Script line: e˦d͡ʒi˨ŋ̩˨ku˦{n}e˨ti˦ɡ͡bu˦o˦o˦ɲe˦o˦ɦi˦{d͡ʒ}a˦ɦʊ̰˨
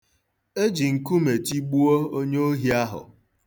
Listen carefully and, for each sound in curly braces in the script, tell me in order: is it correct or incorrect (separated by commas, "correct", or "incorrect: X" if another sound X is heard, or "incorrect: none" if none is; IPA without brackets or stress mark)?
incorrect: m, incorrect: none